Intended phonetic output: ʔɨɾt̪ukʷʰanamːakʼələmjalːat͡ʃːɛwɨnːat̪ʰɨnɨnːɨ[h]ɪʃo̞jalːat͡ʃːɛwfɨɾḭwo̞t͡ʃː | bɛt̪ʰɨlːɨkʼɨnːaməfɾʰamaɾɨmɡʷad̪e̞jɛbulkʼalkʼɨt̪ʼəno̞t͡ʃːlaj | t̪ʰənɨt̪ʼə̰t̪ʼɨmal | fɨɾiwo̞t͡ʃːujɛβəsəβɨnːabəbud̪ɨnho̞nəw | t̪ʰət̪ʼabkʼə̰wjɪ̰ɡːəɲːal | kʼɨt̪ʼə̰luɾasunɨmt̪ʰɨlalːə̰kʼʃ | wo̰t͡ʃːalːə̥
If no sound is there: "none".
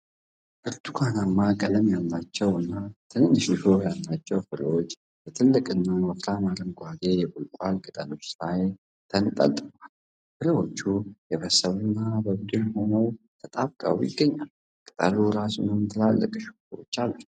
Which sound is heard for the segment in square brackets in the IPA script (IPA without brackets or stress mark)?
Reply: ʃ